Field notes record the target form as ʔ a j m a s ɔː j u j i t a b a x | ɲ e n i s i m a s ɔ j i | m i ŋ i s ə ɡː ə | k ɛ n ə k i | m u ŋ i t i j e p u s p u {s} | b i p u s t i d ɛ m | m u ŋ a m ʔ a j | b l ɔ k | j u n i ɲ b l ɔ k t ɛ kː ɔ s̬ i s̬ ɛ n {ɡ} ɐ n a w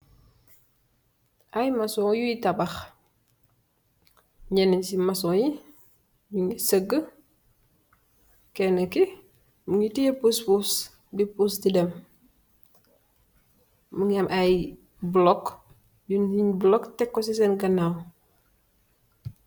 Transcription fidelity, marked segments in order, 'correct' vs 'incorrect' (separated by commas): correct, correct